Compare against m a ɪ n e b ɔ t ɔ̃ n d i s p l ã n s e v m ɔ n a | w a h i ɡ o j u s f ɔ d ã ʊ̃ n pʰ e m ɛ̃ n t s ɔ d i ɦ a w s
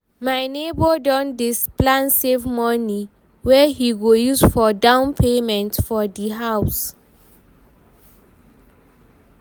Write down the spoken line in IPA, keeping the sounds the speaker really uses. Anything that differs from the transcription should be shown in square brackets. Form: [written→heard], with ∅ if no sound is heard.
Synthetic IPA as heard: m a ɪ n e b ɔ [t→d] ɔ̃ n d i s p l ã n s e v m ɔ n [a→i] | w [a→ɛ] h i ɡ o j u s f ɔ d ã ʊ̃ n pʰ e m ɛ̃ n t [s→f] ɔ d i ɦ a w s

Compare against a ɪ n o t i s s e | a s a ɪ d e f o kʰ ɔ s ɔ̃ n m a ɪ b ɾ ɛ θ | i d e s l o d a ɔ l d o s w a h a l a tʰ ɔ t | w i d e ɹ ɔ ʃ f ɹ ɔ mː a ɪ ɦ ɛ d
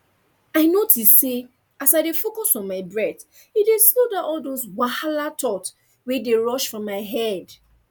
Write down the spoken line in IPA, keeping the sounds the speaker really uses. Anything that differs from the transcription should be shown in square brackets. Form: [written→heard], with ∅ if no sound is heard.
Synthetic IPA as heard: a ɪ n o t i s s e | a s a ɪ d e f o [kʰ→k] ɔ s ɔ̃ n m a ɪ b [ɾ→ɹ] ɛ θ | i d e s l o d a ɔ l d o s w a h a l a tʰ ɔ t | w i d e ɹ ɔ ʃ f ɹ [ɔ→ɔ̃] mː a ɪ ɦ ɛ d

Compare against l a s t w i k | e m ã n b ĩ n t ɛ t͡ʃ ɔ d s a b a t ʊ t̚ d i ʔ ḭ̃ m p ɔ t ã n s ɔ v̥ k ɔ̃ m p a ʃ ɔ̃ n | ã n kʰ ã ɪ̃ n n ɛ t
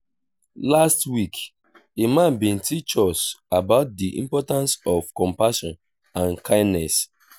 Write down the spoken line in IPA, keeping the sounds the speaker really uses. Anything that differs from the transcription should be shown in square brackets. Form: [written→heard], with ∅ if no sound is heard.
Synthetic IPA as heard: l a s t w i k | e m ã n b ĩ n t [ɛ→i] t͡ʃ ɔ [d→∅] s a b a [t→∅] ʊ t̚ d i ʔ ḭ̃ m p ɔ t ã n s ɔ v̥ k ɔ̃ m p a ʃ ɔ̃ n | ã n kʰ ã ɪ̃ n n ɛ [t→s]

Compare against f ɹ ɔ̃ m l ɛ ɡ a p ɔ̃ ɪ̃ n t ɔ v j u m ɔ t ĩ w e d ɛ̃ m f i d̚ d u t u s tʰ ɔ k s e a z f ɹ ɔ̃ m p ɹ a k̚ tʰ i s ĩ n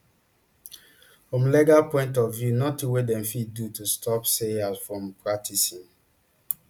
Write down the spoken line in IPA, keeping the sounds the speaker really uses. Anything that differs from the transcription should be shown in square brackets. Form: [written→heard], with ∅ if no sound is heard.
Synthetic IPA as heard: f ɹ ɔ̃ m l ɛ ɡ a p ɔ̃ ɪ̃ n t ɔ v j u [m→n] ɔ t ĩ w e d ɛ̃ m f i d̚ d u t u s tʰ ɔ [k→p] s e a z f ɹ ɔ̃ m p ɹ a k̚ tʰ i s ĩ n

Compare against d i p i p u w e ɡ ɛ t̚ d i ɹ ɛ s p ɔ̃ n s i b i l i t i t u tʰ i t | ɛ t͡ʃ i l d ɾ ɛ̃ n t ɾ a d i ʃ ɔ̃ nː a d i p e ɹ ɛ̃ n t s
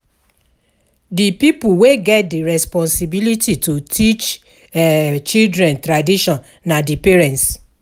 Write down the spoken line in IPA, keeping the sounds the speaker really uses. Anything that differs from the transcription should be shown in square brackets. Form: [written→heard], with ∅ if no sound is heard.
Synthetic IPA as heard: d i p i p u w e ɡ ɛ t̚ d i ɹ ɛ s p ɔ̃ n s i b i l i t i t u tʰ i [t→t͡ʃ] | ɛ t͡ʃ i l d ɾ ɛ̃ n t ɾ a d i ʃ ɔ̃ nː a d i p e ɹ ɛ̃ n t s

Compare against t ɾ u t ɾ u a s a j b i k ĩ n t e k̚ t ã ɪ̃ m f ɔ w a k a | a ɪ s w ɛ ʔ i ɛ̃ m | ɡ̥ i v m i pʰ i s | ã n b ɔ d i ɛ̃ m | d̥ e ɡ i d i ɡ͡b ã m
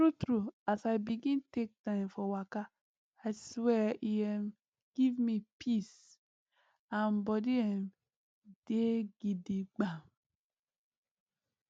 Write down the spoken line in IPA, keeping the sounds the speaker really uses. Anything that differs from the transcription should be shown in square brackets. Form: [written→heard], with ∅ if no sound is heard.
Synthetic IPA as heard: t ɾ u t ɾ u a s a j b i [k→ɡ] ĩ n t e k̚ t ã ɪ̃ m f ɔ w a k a | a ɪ s w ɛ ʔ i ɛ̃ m | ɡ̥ i v m i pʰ i s | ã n b ɔ d i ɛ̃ m | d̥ e ɡ i d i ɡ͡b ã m

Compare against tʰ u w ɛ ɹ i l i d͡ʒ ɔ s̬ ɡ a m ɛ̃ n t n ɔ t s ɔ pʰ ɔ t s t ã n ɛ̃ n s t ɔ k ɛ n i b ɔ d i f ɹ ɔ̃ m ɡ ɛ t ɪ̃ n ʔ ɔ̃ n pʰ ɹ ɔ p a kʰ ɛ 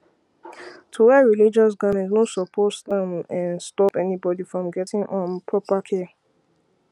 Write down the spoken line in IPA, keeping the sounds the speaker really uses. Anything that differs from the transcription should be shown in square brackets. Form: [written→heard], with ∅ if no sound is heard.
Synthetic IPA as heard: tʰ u w ɛ ɹ i l i d͡ʒ ɔ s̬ ɡ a m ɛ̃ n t n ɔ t s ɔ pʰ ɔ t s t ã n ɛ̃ n s t ɔ [k→p] ɛ n i b ɔ d i f ɹ ɔ̃ m ɡ ɛ t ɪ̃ [n→ŋ] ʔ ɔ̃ n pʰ ɹ ɔ p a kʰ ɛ

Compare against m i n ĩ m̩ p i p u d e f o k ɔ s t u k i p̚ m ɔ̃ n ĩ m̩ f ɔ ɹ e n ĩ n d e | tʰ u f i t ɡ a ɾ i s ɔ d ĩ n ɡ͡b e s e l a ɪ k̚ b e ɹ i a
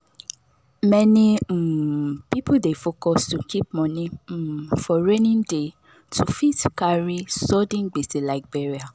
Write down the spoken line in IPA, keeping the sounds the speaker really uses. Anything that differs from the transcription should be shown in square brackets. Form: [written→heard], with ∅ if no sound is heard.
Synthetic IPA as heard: m [i→ɛ] n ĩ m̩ p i p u d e f o k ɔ s t u k i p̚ m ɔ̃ n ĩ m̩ f ɔ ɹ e n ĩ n d e | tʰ u f i t [ɡ→k] a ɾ i s ɔ d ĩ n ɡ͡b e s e l a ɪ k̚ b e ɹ i a

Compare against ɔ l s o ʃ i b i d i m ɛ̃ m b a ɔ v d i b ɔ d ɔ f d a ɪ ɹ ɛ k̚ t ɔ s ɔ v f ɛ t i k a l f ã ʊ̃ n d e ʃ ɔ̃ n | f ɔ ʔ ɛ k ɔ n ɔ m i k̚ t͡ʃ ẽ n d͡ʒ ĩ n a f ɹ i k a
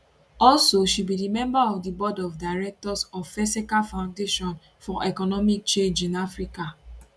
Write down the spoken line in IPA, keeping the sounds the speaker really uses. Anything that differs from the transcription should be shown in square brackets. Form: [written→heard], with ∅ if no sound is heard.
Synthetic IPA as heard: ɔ l s o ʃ i b i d i m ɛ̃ m b a ɔ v d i b ɔ d ɔ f d a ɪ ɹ ɛ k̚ t ɔ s ɔ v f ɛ [t→s] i k a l f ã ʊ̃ n d e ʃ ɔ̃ n | f ɔ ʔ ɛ k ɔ n ɔ m i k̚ t͡ʃ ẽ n d͡ʒ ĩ n a f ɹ i k a

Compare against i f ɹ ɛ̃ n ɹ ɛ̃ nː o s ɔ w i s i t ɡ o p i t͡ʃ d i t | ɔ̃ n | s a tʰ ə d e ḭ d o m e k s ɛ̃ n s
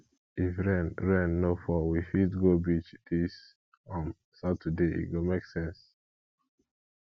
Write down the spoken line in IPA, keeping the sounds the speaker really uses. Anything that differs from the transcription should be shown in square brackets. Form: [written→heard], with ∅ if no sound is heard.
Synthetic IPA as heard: i f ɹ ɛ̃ n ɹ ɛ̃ nː o [s→f] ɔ w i [s→f] i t ɡ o [p→b] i t͡ʃ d i [t→s] | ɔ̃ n | s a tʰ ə d e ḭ [d→ɡ] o m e k s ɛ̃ n s

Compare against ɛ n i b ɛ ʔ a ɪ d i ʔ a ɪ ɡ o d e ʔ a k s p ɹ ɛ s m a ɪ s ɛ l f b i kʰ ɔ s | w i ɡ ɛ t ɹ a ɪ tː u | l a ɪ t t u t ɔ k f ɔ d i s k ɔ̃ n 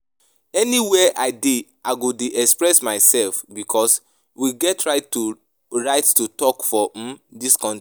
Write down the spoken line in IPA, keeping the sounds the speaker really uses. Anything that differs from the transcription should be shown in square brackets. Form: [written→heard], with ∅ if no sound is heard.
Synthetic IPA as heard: ɛ n i [b→w] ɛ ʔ a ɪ d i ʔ a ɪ ɡ o d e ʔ [a→ɛ] k s p ɹ ɛ s m a ɪ s ɛ l f b i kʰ ɔ s | w i ɡ ɛ t ɹ a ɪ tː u | [l→ɹ] a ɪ t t u t ɔ k f ɔ d i s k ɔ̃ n

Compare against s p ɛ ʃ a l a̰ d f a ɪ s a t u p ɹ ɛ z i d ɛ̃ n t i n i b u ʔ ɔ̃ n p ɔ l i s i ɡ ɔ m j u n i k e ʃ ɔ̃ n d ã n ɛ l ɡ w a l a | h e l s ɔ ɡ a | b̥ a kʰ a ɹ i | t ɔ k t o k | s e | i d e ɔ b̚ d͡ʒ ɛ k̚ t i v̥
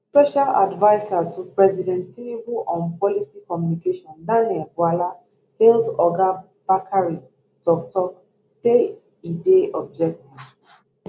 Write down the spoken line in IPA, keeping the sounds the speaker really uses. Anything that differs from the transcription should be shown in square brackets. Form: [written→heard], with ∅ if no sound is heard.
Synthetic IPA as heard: s p ɛ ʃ a l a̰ d [f→v] a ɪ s a t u p ɹ ɛ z i d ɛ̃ n t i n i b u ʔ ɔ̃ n p ɔ l i s i [ɡ→k] ɔ m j u n i k e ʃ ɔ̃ n d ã n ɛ l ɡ w a l a | h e l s ɔ ɡ a | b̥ a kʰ a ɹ i | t ɔ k t [o→ɔ] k | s e | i d e ɔ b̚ d͡ʒ ɛ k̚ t i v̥

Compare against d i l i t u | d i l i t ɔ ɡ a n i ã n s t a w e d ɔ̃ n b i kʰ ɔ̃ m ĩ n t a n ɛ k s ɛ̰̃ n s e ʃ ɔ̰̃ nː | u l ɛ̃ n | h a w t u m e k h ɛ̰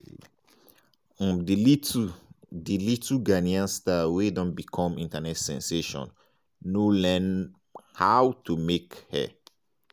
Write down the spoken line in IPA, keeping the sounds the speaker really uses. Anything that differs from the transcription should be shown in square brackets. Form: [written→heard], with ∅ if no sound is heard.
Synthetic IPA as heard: d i l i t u | d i l i t [ɔ→u] ɡ a n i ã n s t a w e d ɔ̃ n b i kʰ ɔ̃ m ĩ n t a n ɛ [k→t] s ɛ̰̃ n s e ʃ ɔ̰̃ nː | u l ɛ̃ n | h a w t u m e k h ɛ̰

